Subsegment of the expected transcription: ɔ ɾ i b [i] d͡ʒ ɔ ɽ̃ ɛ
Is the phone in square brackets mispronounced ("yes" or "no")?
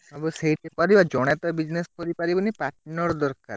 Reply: yes